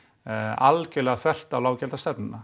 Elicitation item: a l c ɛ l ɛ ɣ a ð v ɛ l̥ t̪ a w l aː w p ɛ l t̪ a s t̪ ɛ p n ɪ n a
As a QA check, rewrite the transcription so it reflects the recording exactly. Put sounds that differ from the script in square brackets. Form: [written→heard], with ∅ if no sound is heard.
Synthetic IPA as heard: a l c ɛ l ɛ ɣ a [ð→θ] v ɛ [l̥→r̥] t̪ a w l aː w [p→c] ɛ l t̪ a s t̪ ɛ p n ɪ n a